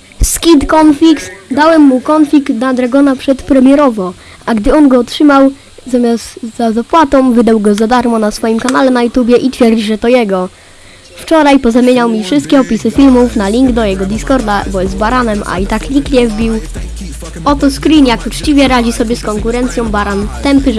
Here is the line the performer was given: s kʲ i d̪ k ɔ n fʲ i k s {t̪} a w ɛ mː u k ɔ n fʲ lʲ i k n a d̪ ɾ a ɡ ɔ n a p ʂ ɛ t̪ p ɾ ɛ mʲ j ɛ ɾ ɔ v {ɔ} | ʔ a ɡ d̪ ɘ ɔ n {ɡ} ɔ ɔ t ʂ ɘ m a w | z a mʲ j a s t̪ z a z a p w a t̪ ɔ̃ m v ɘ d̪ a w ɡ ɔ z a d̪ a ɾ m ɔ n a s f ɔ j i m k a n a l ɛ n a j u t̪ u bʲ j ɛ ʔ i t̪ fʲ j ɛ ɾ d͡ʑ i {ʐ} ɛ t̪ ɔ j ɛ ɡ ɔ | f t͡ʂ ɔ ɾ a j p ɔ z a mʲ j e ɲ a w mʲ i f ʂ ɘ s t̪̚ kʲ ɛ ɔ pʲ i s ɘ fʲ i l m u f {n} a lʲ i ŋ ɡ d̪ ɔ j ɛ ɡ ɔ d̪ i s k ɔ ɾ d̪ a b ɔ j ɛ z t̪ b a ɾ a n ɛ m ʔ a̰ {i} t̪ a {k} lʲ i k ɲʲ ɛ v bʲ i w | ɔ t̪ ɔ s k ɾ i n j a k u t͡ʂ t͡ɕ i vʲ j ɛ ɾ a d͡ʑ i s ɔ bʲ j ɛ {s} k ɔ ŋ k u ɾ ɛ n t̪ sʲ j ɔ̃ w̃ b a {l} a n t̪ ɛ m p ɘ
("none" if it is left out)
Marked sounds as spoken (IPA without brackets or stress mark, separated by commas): d̪, ɔ, ɡ, ʐ, n, i, k, s, ɾ